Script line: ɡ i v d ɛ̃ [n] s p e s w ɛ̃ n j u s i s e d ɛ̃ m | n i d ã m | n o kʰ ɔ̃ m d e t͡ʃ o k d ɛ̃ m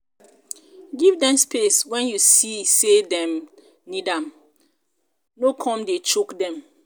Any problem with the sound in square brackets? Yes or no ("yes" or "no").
yes